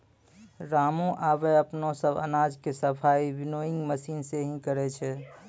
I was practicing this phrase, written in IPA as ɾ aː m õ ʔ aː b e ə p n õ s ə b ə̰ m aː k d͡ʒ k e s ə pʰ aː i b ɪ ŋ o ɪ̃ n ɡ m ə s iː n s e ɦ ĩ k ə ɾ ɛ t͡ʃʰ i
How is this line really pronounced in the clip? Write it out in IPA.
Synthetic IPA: ɾ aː m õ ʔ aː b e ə p n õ s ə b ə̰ n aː d͡ʒ k e s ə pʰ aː i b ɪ n o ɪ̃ ŋ ɡ m ə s iː n s e ɦ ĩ k ə ɾ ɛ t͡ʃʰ ɛ